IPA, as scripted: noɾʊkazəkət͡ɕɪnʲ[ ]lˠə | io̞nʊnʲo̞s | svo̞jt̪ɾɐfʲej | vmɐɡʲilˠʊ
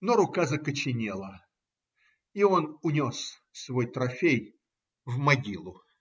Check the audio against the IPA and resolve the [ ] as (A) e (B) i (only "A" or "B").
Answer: A